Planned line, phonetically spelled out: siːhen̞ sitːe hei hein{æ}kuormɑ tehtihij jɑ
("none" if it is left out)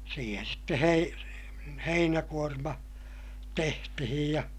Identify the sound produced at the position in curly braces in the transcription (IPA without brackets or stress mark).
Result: æ